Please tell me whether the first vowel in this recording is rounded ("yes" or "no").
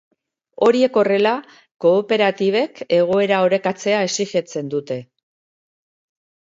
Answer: yes